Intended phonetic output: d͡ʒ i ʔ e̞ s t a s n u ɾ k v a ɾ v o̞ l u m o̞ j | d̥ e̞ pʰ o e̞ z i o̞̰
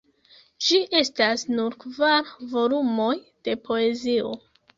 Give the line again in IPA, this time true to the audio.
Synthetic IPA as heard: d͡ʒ i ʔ e̞ s t a s n u ɾ k v a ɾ v o̞ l u m o̞ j | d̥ e̞ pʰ o e̞ z i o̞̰

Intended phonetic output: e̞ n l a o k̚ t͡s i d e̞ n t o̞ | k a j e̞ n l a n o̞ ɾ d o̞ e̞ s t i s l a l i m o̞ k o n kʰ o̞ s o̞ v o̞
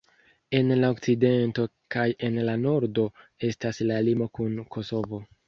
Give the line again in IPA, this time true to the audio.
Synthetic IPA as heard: e̞ n l a o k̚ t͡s i d e̞ n t o̞ | k a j e̞ n l a n o̞ ɾ d o̞ e̞ s t a s l a l i m o̞ k u n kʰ o̞ s o̞ v o̞

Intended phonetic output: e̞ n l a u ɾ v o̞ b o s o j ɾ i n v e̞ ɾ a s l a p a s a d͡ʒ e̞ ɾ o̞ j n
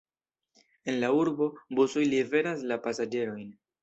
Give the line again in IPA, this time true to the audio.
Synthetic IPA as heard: e̞ n l a u ɾ b o̞ b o s o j l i v e̞ ɾ a s l a p a s a d͡ʒ e̞ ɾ o̞ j n

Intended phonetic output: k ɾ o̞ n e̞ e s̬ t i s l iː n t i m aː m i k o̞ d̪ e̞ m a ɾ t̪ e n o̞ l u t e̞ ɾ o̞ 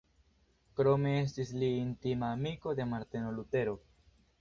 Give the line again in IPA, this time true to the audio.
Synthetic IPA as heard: k ɾ o̞ m e̞ e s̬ t i s l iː n t i m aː m i k o̞ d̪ e̞ m a ɾ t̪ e n o̞ l u t e̞ ɾ o̞

